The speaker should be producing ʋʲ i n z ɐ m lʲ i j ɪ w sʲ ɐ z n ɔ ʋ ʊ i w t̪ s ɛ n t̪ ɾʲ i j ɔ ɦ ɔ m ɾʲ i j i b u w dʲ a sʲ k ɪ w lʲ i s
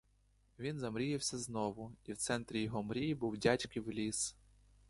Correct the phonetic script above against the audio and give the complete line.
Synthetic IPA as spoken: ʋʲ i n z ɐ m ɾʲ i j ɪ w sʲ ɐ z n ɔ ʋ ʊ i w t̪ s ɛ n t̪ ɾʲ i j ɔ ɦ ɔ m ɾʲ i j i b u w dʲ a tʲ k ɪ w lʲ i s